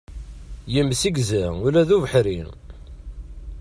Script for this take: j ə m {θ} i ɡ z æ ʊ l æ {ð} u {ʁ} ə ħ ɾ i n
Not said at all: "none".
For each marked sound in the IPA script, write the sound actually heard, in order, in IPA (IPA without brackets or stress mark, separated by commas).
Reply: s, ð, v